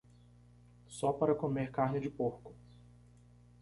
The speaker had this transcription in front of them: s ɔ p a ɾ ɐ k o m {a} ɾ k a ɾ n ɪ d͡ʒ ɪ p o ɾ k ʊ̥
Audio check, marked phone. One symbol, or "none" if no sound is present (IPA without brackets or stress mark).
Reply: e